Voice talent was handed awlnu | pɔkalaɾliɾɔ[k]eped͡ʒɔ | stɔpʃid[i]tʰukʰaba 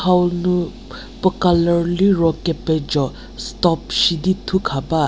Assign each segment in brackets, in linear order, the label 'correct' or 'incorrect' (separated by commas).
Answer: correct, correct